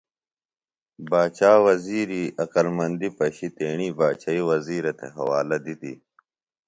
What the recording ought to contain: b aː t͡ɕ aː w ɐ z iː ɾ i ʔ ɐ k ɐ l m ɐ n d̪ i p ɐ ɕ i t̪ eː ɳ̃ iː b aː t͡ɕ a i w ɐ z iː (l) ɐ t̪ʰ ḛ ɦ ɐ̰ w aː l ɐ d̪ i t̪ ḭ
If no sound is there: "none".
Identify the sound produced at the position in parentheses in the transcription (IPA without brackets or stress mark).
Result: ɾ